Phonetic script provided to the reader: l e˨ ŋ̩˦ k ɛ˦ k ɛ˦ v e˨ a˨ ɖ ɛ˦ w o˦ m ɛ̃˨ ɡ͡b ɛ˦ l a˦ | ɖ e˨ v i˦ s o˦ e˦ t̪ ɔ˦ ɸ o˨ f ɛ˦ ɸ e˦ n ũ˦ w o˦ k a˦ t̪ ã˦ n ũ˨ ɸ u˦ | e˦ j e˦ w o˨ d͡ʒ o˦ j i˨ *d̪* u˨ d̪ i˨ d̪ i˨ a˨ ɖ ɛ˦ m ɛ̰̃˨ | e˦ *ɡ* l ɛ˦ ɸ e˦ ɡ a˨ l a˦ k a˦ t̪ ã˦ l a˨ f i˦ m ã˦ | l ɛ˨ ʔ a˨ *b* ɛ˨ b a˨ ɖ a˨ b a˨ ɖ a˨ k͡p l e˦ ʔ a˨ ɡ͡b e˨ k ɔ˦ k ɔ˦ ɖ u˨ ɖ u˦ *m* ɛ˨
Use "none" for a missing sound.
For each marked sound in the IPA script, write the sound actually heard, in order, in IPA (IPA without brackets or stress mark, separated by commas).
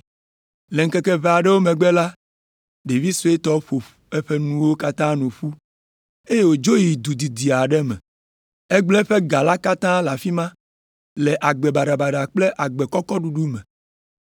d̪, ɡ͡b, ɡ͡b, m